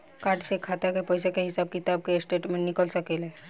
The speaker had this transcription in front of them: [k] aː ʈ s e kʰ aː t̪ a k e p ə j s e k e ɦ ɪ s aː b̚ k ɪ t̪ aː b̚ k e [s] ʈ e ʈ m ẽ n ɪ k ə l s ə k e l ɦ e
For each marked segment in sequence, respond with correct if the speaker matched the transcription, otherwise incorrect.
correct, correct

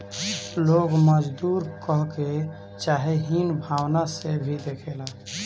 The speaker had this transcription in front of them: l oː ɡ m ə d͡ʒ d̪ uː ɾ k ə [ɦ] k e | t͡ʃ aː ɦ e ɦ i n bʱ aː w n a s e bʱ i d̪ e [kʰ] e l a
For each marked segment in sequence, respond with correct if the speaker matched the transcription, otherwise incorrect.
correct, correct

